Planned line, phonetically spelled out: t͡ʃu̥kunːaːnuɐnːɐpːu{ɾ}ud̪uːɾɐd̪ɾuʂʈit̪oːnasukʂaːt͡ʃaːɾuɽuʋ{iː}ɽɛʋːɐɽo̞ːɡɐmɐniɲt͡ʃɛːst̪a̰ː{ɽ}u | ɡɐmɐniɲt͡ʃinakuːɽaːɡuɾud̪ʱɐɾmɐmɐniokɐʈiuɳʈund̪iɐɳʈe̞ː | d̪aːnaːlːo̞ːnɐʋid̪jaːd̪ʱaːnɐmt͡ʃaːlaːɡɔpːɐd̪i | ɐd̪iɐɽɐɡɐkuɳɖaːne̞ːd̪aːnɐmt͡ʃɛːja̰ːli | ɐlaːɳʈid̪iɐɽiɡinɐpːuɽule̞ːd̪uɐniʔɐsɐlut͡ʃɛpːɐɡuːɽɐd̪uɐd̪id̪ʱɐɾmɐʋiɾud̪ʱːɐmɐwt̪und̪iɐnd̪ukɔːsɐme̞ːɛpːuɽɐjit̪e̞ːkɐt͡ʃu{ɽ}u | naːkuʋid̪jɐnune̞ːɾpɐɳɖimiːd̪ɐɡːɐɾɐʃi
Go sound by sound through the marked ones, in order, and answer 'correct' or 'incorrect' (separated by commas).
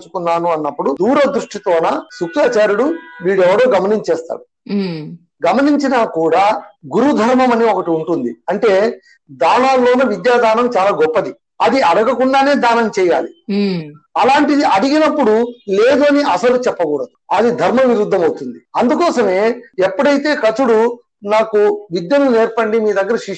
incorrect, correct, correct, correct